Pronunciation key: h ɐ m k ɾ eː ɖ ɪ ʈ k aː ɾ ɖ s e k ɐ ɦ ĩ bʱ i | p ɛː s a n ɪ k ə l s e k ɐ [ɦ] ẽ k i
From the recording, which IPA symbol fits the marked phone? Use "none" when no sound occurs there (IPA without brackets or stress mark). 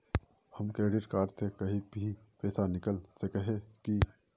ɦ